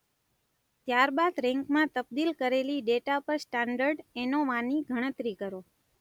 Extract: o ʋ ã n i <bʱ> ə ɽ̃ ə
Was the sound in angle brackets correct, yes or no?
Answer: no